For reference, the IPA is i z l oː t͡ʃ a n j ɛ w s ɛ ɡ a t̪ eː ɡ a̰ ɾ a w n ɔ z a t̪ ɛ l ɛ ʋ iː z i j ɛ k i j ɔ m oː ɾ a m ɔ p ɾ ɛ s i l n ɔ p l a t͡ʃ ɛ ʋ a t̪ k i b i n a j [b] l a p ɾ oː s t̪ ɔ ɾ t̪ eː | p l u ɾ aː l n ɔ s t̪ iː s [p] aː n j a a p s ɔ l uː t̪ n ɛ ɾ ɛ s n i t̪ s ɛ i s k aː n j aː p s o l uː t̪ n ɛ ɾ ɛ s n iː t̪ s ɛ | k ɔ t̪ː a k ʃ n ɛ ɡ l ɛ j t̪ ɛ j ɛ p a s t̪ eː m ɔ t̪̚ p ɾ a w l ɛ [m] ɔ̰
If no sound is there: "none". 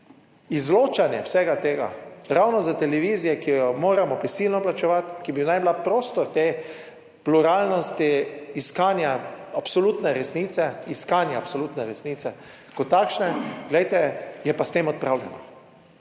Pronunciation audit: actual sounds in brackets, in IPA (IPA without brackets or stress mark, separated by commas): b, k, n